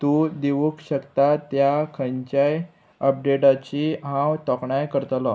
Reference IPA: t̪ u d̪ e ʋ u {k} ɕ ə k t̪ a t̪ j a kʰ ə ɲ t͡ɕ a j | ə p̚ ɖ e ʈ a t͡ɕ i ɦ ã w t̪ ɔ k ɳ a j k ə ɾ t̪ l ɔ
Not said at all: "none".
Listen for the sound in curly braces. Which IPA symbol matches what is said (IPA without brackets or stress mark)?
k